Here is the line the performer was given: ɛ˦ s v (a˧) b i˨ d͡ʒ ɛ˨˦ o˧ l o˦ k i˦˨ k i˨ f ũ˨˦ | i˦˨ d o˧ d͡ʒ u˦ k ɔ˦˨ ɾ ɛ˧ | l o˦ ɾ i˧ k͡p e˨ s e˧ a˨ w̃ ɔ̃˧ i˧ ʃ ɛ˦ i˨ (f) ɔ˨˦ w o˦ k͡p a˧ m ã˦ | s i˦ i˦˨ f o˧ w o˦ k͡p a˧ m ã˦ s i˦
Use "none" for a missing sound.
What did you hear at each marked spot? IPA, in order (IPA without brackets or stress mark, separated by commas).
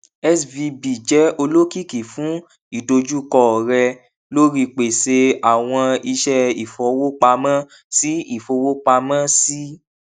i˧, f